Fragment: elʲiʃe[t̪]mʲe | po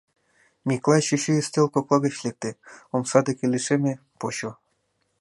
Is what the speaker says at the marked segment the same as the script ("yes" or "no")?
no